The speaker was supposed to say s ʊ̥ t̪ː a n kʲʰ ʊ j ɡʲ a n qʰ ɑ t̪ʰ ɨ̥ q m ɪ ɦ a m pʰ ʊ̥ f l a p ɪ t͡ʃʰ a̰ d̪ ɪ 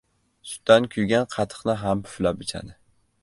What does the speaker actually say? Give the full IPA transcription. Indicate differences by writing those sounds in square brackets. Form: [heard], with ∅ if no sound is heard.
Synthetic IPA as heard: s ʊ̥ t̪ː a n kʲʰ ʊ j ɡʲ a n qʰ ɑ t̪ʰ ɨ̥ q [n] ɪ ɦ a m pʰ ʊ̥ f l a p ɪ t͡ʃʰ a̰ d̪ ɪ